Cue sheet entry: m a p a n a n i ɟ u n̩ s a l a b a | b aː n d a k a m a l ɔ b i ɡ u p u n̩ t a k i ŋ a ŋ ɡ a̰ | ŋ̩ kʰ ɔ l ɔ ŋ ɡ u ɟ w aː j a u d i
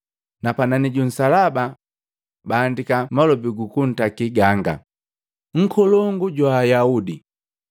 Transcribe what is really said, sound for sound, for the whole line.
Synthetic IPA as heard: n a p a n a n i ɟ u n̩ s a l a b a | b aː n d i k a m a l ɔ b i ɡ u k u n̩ t a k i ɡ a ŋ ɡ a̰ | ŋ̩ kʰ ɔ l ɔ ŋ ɡ u ɟ w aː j a u d i